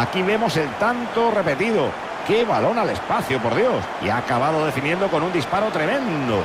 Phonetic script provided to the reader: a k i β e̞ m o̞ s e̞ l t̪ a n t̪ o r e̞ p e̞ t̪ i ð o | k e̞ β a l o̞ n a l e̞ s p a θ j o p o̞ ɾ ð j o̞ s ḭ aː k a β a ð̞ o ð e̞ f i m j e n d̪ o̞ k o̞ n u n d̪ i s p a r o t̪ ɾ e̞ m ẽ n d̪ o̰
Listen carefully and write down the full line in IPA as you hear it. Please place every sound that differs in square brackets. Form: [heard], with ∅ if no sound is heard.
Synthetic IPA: a k i β e̞ m o̞ s e̞ l t̪ a n t̪ o r e̞ p e̞ t̪ i ð o | k e̞ β a l o̞ n a l e̞ s p a θ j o p o̞ ɾ ð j o̞ s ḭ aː k a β a ð̞ o ð e̞ f i [n] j e n d̪ o̞ k o̞ n u n d̪ i s p a [ɾ] o t̪ ɾ e̞ m ẽ n d̪ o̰